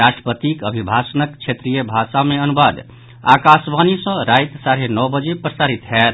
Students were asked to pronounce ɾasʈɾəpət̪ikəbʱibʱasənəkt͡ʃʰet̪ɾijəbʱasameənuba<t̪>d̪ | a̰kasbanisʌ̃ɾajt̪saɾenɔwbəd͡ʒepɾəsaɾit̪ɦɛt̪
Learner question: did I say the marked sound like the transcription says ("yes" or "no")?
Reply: no